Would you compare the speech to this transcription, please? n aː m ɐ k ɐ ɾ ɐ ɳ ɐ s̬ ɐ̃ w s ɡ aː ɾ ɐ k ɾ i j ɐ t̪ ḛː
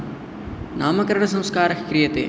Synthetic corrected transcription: n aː m ɐ k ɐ ɾ ɐ ɳ ɐ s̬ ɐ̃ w s k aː ɾ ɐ k ɾ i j ɐ t̪ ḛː